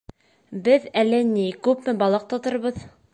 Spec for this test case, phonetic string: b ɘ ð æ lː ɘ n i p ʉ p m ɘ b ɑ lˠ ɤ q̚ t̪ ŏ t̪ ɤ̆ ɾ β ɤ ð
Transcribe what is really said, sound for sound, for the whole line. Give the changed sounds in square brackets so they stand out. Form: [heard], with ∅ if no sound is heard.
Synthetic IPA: b ɘ ð æ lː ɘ n i [k] ʉ p m ɘ b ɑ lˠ ɤ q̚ t̪ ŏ t̪ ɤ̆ ɾ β ɤ ð